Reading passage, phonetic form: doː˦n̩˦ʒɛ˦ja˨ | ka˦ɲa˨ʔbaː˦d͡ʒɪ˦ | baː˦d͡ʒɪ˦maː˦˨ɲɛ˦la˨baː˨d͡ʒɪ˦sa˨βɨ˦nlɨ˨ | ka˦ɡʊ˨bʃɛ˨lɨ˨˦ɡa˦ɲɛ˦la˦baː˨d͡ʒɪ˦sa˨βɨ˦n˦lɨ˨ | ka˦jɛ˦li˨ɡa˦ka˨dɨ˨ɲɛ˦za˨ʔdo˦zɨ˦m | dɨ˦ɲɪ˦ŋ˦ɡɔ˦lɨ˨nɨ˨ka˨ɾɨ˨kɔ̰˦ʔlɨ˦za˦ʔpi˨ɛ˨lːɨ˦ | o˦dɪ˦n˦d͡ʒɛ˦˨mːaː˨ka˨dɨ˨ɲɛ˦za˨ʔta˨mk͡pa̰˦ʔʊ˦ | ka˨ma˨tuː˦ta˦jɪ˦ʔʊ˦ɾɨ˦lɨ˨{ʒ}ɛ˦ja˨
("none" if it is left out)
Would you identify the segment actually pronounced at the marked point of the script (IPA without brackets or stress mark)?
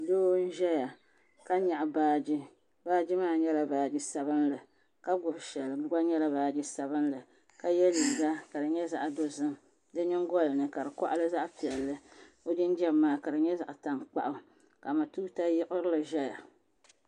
ʒ